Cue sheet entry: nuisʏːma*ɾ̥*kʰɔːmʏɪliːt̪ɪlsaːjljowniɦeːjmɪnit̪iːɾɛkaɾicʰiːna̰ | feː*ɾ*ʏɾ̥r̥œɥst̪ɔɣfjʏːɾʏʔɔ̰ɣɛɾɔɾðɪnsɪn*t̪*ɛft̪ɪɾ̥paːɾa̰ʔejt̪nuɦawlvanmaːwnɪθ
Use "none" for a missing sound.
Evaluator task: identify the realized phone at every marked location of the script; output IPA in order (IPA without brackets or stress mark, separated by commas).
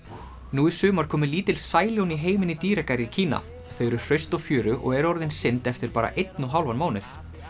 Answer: ɾ̥, ɾ, t̪